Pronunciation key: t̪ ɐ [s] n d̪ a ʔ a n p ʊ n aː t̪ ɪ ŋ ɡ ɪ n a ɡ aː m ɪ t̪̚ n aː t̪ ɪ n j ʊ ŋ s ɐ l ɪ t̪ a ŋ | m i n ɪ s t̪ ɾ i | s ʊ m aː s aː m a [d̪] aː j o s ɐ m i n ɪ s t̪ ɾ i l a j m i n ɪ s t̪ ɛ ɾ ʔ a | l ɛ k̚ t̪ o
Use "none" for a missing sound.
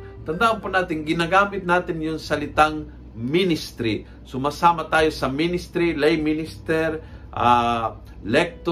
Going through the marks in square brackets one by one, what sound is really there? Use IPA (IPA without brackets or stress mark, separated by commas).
none, t̪